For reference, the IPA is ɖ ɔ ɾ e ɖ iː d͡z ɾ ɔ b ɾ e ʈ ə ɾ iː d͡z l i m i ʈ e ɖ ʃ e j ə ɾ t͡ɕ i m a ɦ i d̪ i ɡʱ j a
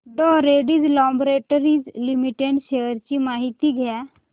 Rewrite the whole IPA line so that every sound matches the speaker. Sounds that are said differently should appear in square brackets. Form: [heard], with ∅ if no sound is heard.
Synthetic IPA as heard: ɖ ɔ ɾ e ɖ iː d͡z [l] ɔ b ɾ e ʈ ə ɾ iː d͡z l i m i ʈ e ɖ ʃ e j ə ɾ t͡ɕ i m a ɦ i [t̪] i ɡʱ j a